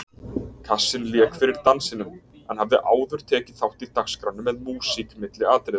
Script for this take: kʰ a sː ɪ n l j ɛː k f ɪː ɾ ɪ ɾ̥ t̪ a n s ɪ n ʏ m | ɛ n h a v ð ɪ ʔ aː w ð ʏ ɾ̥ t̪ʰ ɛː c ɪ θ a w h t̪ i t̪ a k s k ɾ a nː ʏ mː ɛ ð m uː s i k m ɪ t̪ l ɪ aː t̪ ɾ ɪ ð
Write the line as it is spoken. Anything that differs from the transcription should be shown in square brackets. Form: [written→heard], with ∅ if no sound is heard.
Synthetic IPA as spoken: kʰ a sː ɪ n l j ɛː k f [ɪː→ɪ] ɾ ɪ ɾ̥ t̪ a n s ɪ n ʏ m | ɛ n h a v ð ɪ ʔ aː w ð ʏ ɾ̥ t̪ʰ ɛː c ɪ θ a w h t̪ i t̪ a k s k ɾ a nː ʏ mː ɛ ð m uː s i k m ɪ t̪ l ɪ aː t̪ ɾ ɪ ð